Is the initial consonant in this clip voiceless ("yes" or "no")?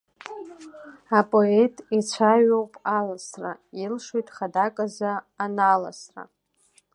yes